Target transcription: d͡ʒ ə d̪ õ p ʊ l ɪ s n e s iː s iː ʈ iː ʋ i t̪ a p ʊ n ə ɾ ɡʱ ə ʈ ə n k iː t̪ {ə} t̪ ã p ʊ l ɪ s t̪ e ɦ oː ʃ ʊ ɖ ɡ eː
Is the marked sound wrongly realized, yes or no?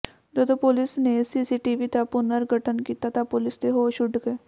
yes